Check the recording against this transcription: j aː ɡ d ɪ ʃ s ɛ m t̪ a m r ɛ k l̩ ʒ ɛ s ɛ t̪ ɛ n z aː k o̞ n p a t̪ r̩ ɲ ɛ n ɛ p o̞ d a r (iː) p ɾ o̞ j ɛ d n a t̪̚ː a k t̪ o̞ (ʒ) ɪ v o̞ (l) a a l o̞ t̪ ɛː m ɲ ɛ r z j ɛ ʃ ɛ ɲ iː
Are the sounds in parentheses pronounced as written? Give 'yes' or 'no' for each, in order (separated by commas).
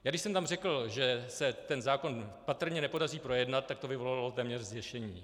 yes, no, yes